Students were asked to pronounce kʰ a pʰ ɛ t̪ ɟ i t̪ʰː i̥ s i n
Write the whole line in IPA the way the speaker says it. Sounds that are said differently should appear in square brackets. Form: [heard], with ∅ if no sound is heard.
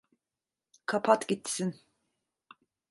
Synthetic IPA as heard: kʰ a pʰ [a] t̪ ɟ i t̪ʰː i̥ s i n